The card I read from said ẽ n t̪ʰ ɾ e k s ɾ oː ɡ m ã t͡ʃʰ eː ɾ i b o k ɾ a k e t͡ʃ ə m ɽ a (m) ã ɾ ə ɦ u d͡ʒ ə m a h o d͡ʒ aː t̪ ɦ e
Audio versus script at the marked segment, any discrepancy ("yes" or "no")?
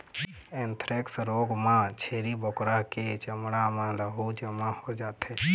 no